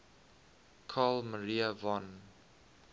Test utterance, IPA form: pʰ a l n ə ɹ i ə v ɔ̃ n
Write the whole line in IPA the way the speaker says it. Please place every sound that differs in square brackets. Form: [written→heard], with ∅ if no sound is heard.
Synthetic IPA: [pʰ→kʰ] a l [n→m] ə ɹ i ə v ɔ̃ n